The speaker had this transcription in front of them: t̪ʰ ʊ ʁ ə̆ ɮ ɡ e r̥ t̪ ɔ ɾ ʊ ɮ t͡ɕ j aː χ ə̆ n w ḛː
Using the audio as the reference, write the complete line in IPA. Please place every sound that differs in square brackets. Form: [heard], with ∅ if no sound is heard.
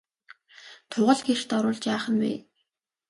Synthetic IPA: t̪ʰ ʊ ʁ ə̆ ɮ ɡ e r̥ t̪ ɔ ɾ [ʊː] ɮ t͡ɕ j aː χ ə̆ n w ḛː